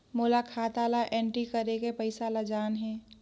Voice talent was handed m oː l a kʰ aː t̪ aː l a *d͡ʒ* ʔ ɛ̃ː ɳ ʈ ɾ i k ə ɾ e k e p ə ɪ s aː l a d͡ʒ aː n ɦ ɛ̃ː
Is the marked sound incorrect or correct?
incorrect